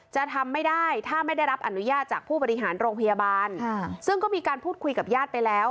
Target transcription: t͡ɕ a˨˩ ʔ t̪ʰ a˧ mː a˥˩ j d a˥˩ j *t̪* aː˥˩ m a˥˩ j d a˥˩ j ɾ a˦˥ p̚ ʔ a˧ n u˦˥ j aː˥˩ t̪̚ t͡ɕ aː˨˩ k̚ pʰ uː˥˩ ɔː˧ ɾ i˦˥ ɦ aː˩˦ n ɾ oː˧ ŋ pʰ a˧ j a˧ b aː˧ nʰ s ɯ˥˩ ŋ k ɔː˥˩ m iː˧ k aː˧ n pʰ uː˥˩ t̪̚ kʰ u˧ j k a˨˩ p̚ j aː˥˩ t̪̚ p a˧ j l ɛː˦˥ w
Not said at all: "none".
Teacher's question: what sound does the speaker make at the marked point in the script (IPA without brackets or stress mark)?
t̪ʰ